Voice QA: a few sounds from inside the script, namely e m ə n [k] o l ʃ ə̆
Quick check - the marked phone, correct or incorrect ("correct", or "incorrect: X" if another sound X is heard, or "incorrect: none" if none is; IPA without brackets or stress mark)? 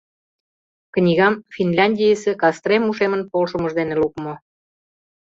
incorrect: p